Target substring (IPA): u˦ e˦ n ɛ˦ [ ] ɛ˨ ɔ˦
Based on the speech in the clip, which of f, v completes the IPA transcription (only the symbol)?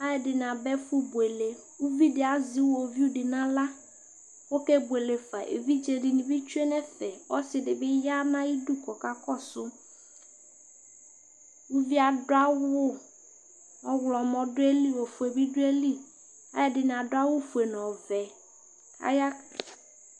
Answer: f